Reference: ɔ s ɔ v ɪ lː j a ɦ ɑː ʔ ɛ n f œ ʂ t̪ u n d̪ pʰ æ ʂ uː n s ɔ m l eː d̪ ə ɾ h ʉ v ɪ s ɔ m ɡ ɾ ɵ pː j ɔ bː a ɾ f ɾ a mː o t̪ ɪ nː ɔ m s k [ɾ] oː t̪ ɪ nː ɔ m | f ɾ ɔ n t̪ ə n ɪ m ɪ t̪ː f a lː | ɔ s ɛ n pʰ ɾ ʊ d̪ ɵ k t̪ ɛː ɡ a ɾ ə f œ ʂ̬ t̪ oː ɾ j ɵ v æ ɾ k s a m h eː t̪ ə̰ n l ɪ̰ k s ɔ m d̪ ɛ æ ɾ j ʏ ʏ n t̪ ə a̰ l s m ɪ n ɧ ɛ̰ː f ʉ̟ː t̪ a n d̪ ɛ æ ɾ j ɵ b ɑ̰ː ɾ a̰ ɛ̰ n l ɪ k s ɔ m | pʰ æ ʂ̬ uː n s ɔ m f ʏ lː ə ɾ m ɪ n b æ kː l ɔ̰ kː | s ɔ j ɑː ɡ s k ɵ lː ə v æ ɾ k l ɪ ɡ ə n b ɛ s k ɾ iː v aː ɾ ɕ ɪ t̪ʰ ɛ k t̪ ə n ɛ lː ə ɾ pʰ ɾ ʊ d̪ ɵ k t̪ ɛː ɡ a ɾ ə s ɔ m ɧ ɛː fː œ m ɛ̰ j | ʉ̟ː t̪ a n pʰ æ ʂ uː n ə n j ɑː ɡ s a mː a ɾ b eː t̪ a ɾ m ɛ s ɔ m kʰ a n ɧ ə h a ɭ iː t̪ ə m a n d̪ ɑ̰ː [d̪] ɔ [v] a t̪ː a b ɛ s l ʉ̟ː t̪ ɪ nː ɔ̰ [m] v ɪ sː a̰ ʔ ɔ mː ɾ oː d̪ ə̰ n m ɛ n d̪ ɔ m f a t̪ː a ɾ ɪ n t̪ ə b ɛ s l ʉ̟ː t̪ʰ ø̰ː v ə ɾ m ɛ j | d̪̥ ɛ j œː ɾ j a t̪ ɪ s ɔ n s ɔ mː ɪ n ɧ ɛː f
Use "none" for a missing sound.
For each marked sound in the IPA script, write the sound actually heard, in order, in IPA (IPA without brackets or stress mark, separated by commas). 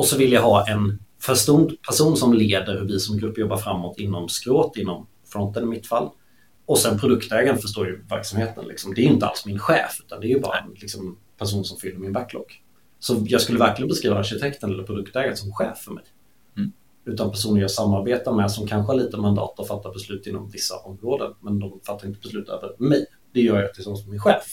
ɾ, t̪, f, m